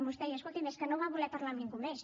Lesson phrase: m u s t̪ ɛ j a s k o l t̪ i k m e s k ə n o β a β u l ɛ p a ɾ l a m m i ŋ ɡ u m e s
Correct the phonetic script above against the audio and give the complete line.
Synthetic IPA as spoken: m u s t̪ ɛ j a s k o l t̪ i m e s k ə n o β a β u l ɛ p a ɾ l a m n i ŋ ɡ u m e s